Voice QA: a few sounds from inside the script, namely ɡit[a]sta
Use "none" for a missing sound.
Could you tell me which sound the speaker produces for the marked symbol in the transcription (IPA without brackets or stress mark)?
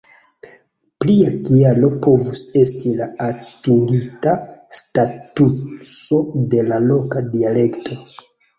a